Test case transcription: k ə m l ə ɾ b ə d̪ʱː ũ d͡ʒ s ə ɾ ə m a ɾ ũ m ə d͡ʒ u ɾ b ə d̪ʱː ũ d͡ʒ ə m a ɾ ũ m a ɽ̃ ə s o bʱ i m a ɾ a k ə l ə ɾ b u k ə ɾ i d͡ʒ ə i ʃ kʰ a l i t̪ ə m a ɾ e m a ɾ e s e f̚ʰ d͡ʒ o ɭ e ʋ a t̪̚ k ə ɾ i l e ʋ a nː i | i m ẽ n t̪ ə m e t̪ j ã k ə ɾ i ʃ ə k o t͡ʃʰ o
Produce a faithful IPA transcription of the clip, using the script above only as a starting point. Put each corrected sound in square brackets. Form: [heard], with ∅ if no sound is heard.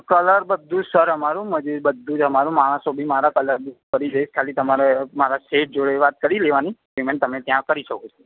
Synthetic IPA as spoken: k ə [∅] l ə ɾ b ə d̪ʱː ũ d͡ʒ s ə ɾ ə m a ɾ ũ m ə d͡ʒ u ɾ b ə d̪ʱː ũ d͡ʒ ə m a ɾ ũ m a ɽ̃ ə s o bʱ i m a ɾ a k ə l ə ɾ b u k ə ɾ i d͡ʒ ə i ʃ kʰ a l i t̪ ə m a ɾ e m a ɾ [a] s e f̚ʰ d͡ʒ o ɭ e ʋ a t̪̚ k ə ɾ i l e ʋ a [n] i | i m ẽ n t̪ ə m e t̪ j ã k ə ɾ i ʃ ə k o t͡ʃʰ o